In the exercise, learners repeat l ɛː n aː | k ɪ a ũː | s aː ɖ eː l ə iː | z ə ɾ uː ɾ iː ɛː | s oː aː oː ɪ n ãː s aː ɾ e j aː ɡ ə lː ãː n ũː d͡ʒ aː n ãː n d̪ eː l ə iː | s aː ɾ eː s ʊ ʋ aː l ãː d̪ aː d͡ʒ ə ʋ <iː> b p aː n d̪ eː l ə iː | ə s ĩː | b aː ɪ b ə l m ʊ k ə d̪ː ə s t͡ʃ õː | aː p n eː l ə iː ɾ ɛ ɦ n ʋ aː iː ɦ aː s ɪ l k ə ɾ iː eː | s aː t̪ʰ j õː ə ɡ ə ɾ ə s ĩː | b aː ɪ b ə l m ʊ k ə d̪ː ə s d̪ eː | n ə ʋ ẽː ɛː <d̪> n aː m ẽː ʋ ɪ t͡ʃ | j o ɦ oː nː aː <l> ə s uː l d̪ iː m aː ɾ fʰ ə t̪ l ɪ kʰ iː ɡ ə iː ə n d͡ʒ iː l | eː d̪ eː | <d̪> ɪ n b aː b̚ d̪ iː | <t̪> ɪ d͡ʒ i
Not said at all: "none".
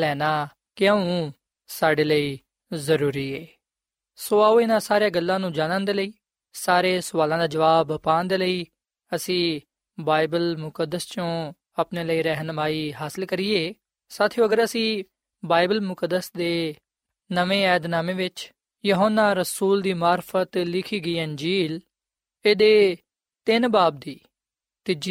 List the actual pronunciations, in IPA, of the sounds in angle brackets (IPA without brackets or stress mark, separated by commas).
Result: aː, d̪, ɾ, t̪, t̪